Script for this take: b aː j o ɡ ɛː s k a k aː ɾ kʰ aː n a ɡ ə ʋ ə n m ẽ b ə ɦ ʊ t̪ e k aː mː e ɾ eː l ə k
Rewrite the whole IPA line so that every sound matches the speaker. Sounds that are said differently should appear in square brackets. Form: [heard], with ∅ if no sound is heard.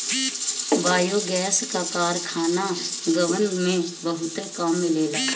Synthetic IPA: b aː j o ɡ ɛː s k a k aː ɾ kʰ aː n a ɡ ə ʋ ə n m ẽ b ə ɦ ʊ t̪ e k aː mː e [l] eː l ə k